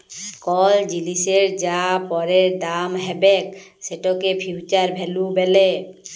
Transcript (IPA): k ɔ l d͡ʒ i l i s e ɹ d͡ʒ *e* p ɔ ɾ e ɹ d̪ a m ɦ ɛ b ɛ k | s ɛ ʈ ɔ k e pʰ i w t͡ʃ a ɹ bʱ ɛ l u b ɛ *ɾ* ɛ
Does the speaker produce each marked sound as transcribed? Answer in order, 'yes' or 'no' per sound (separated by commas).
no, no